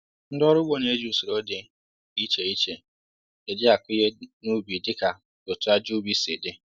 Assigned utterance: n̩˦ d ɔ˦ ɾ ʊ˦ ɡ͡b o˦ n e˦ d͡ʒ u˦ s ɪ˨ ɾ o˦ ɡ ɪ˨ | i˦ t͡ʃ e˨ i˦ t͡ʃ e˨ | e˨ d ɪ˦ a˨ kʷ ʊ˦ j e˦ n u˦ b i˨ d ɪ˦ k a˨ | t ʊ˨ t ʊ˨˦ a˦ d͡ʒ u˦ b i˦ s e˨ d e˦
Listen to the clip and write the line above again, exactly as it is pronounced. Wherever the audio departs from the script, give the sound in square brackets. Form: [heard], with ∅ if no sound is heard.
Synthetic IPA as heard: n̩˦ d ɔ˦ ɾ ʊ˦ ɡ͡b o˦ n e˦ d͡ʒ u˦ s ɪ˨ ɾ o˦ [d] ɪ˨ | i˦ t͡ʃ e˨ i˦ t͡ʃ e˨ | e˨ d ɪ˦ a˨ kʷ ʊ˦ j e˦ n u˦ b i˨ d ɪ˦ k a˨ | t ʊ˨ t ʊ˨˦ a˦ d͡ʒ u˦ b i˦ s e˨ d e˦